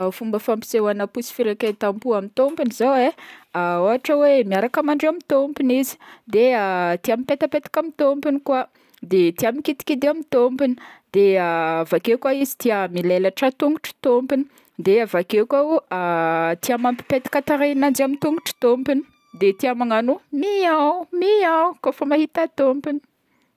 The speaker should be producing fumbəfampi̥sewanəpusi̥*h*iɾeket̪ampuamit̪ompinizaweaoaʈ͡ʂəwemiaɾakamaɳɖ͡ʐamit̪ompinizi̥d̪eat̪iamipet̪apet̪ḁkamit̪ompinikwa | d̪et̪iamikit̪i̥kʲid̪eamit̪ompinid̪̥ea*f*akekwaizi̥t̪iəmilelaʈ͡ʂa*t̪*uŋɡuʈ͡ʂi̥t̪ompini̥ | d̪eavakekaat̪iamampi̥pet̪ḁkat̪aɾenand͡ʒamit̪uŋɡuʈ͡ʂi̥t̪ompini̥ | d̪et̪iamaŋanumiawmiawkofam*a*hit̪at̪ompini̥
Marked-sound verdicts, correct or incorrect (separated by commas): incorrect, incorrect, correct, correct